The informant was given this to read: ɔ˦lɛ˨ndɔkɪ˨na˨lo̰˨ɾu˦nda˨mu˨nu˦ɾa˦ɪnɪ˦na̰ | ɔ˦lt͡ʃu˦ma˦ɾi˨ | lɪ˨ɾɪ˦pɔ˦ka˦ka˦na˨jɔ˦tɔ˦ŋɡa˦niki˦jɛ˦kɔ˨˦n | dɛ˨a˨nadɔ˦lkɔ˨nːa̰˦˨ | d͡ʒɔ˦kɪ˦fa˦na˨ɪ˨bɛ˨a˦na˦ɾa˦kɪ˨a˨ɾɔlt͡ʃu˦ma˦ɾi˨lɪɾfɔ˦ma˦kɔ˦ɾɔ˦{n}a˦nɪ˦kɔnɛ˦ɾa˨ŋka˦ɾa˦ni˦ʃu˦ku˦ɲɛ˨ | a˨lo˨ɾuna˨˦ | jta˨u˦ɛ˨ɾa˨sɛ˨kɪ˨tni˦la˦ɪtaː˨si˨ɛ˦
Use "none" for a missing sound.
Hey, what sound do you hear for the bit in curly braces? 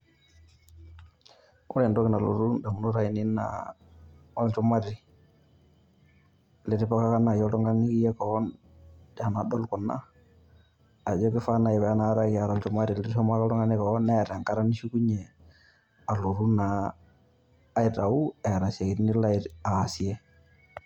ŋ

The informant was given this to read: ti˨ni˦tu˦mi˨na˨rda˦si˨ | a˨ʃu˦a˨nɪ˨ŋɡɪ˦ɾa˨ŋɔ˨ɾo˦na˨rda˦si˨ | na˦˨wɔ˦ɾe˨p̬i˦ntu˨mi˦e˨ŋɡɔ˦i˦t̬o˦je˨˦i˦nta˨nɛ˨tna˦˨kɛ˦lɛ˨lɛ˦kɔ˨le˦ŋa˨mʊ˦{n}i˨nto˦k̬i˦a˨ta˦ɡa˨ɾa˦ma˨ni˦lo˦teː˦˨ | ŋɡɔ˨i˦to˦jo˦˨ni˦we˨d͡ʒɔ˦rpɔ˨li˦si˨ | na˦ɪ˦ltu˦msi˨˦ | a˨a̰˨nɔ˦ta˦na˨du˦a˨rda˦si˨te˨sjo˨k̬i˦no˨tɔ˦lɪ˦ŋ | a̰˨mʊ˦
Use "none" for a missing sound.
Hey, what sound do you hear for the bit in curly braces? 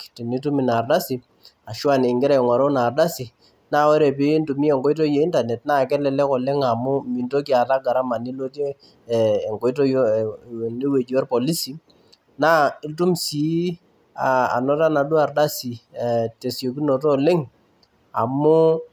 m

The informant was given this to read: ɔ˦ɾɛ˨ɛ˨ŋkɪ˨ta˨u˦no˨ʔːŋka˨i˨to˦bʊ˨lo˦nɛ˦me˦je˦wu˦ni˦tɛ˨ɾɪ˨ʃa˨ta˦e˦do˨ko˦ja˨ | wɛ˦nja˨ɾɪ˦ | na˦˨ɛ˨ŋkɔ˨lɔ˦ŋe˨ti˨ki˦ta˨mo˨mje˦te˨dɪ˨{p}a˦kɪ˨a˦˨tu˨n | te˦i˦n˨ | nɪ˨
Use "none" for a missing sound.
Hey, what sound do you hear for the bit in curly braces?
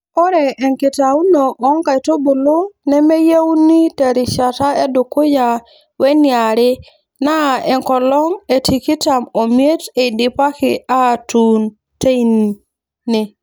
p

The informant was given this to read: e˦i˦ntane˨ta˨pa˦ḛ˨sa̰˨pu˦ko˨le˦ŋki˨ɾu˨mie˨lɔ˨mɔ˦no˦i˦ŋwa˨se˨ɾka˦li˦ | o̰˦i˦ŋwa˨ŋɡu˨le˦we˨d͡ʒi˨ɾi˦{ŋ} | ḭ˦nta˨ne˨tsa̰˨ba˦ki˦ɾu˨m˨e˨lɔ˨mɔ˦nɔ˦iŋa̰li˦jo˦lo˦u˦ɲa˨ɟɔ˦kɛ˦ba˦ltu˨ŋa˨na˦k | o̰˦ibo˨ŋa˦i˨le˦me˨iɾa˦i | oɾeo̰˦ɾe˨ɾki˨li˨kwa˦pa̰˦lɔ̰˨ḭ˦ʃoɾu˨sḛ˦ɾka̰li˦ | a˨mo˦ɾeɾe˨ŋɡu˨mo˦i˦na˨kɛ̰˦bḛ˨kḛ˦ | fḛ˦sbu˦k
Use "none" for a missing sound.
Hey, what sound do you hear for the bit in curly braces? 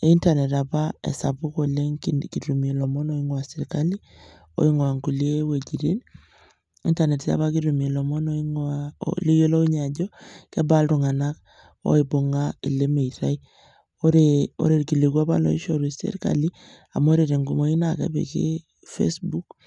n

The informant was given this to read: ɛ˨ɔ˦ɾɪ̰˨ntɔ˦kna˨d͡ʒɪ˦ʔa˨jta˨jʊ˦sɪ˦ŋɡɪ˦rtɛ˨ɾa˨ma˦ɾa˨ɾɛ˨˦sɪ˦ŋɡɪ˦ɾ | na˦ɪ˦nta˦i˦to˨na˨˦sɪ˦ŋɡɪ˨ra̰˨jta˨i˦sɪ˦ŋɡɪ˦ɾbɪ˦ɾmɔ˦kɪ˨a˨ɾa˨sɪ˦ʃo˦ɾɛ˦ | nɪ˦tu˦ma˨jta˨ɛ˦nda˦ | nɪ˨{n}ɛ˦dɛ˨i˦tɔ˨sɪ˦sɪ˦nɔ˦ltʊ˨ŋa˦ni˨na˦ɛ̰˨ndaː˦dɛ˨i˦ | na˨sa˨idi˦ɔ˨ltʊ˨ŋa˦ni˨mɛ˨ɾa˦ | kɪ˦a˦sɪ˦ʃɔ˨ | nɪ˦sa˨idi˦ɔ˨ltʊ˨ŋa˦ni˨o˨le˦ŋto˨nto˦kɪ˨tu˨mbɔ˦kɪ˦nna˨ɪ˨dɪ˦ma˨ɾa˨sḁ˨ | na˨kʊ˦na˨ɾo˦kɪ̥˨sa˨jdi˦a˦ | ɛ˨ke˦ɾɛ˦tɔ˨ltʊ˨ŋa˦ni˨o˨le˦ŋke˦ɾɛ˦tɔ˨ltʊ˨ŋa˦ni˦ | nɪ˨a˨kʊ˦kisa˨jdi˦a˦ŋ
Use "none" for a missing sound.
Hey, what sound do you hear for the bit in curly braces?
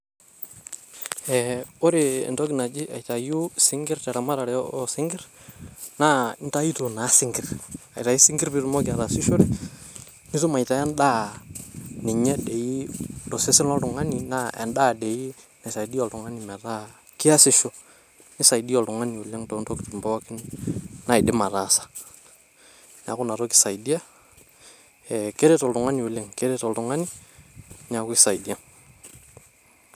ɲ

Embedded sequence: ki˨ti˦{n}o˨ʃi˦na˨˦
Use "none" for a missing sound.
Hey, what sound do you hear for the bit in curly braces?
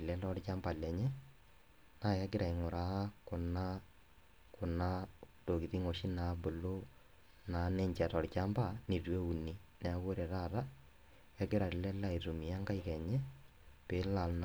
ŋ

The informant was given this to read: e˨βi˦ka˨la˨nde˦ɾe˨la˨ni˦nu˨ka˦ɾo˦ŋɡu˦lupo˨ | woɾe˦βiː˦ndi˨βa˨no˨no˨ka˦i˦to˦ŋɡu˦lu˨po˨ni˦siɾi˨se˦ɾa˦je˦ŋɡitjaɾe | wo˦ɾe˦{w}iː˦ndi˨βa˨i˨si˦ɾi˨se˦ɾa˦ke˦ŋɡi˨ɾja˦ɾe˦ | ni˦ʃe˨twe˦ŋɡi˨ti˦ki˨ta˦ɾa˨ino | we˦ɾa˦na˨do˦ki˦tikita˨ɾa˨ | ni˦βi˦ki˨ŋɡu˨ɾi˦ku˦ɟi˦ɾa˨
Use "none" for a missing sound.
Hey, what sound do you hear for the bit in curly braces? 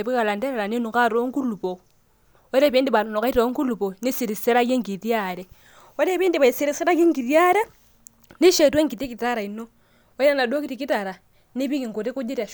β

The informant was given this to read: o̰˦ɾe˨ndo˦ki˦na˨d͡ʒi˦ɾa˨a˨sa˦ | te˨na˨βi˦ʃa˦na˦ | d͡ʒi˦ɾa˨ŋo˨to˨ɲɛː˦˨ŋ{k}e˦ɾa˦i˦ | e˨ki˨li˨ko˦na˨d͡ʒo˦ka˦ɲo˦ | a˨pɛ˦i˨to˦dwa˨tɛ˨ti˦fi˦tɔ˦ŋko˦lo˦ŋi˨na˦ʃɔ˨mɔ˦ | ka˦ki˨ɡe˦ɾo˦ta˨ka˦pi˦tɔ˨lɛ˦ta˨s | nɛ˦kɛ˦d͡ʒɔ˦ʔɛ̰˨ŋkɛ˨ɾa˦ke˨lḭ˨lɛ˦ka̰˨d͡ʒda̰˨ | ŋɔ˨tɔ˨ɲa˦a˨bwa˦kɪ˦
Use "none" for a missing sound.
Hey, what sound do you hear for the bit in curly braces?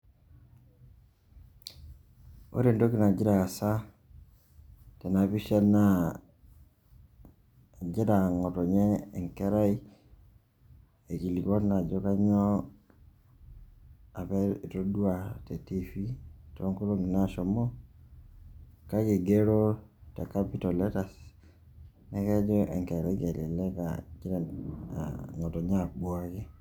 k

